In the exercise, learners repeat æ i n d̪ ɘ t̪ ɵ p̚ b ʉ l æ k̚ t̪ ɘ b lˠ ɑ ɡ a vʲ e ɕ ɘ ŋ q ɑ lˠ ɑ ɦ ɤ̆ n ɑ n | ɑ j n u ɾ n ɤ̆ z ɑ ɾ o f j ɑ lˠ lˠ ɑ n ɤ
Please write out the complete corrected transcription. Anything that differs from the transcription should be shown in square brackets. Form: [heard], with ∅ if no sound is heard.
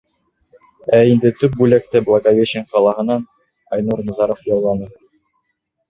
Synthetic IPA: æ i n d̪ ɘ t̪ ɵ p̚ b ʉ l æ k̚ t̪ ɘ b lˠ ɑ ɡ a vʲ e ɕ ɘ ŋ q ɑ lˠ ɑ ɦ ɤ̆ n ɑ n | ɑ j n u ɾ n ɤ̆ z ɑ ɾ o f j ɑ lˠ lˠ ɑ n ɤ